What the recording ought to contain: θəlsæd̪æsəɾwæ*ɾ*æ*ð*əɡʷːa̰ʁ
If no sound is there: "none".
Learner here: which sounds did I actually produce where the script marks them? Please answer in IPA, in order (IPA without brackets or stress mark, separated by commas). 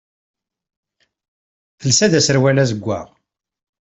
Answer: l, z